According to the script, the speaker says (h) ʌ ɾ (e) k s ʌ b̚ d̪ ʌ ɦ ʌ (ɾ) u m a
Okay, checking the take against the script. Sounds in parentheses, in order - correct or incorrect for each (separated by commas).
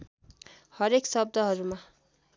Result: correct, correct, correct